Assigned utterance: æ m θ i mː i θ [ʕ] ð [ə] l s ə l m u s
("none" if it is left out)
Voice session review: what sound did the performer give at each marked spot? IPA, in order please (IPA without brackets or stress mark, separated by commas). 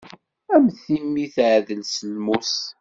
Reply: ʕ, ə